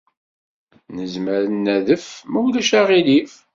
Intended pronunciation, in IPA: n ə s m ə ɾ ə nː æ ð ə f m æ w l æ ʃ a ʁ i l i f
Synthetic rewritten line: n ə z m ə ɾ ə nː æ ð ə f m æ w l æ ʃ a ʁ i l i f